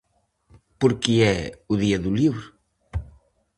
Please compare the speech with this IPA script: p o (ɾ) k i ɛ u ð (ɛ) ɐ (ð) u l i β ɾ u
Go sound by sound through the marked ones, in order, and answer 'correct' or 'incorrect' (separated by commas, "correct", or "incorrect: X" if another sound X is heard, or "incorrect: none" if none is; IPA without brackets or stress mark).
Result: correct, incorrect: i, correct